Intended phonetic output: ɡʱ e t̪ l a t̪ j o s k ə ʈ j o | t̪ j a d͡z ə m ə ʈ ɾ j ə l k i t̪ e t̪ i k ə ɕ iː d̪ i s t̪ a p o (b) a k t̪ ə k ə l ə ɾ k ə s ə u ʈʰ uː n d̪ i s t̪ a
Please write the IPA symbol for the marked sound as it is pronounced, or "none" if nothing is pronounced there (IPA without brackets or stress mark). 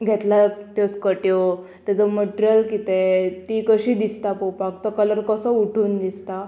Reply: p